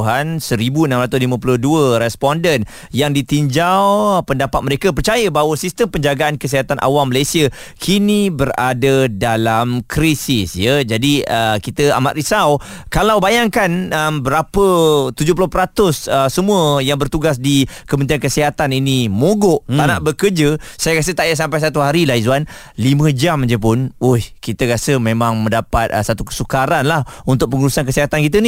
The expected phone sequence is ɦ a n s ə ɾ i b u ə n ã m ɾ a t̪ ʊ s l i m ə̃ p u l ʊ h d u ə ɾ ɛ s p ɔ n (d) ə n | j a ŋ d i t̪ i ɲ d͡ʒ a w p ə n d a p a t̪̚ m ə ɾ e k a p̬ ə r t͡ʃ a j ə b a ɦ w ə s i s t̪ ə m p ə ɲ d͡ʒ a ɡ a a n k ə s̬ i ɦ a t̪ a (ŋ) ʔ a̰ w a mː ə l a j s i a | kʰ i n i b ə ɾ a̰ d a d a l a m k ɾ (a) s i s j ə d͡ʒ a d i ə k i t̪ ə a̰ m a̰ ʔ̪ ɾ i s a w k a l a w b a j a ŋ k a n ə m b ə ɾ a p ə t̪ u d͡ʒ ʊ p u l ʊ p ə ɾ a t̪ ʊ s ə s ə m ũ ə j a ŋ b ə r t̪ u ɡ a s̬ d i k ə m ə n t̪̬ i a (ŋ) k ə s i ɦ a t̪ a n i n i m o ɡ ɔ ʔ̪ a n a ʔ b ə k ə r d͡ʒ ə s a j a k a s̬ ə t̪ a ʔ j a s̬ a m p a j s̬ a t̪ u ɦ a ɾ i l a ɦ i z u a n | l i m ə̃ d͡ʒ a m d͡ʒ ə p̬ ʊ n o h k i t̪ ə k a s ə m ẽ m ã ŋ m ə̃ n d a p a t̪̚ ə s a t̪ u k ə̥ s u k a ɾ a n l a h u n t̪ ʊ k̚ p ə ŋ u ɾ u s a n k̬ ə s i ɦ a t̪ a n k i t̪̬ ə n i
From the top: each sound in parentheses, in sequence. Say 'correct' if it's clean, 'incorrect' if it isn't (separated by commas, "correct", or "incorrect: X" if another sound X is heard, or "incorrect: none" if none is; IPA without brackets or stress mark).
correct, incorrect: n, incorrect: i, incorrect: n